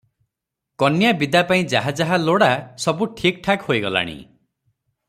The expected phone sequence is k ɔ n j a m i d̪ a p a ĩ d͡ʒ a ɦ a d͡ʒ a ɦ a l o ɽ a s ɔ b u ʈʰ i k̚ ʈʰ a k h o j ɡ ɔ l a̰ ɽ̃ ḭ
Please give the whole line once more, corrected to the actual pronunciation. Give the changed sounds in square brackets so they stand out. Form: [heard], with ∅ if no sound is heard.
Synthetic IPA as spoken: k ɔ n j a [b] i d̪ a p a ĩ d͡ʒ a ɦ a d͡ʒ a ɦ a l o ɽ a s ɔ b u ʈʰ i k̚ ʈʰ a k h o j ɡ ɔ l a̰ ɽ̃ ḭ